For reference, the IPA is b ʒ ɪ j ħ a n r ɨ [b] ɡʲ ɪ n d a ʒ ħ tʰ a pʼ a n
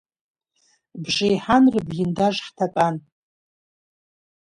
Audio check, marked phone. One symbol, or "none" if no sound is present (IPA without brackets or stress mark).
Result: b